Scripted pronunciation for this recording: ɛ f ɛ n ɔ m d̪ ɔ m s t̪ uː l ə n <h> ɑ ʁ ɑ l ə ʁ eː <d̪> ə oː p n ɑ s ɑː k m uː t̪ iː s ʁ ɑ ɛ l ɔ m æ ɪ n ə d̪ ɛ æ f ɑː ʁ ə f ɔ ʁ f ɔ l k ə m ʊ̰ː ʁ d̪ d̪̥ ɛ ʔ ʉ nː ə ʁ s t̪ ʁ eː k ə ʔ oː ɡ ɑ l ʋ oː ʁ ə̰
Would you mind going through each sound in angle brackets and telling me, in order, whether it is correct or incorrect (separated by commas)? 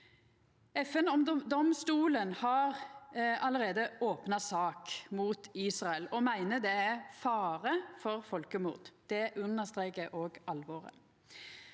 correct, correct